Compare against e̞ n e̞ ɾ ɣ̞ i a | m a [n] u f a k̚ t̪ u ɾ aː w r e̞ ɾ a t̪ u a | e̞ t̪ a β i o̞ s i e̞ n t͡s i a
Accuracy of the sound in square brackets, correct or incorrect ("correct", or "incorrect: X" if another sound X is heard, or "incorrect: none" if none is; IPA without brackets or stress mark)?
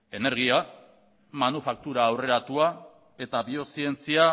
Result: correct